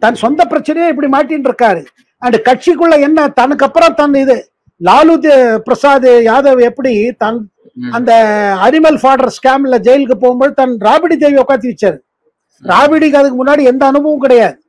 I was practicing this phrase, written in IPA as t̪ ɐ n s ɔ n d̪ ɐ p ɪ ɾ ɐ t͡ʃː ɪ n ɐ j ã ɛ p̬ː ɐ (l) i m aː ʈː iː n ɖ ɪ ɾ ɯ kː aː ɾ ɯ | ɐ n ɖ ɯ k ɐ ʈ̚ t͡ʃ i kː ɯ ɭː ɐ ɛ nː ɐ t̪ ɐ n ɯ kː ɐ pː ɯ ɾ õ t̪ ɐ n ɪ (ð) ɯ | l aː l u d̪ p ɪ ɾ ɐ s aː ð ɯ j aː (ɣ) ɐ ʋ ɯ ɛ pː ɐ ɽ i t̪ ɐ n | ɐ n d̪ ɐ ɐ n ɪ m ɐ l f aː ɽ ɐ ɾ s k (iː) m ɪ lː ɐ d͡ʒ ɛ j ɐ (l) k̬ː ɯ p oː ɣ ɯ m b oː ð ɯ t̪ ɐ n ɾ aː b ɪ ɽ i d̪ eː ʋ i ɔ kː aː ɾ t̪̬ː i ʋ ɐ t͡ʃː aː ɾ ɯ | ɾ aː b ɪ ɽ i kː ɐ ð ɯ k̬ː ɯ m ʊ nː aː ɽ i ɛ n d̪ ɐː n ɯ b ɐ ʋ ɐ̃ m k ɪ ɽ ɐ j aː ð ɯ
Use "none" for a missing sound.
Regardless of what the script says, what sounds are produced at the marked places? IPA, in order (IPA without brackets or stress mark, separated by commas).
ɽ, ð, ð, aː, l